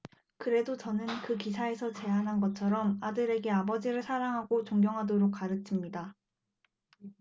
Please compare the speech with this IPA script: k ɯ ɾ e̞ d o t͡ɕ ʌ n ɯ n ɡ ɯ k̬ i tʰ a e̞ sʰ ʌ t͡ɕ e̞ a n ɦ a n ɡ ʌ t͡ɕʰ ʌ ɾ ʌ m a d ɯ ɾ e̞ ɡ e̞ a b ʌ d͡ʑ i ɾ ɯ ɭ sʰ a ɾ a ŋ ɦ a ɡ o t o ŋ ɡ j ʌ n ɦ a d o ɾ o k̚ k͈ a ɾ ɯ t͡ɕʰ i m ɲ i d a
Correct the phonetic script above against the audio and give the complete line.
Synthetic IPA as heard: k ɯ ɾ e̞ d o t͡ɕ ʌ n ɯ n k ɯ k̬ i sʰ a e̞ sʰ ʌ t͡ɕ e̞ a n ɦ a n ɡ ʌ t͡ɕʰ ʌ ɾ ʌ m a d ɯ ɾ e̞ ɡ e̞ a b ʌ d͡ʑ i ɾ ɯ ɭ sʰ a ɾ a ŋ ɦ a ɡ o t͡ɕ o ŋ ɡ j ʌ ŋ ɦ a d o ɾ o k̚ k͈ a ɾ ɯ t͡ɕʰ i m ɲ i d a